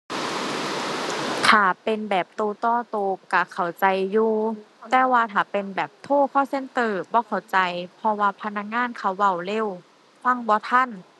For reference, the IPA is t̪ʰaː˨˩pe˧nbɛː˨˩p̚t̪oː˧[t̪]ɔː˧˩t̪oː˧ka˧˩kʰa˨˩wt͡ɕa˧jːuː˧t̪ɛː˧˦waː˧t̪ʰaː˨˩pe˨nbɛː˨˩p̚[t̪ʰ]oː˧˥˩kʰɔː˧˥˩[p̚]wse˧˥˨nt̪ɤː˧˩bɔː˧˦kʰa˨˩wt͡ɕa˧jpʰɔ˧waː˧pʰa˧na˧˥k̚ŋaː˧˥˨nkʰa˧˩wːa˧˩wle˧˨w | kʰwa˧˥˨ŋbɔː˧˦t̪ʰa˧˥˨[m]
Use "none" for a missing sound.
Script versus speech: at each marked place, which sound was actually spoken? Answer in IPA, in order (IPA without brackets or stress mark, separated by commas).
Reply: t̪, t̪ʰ, none, n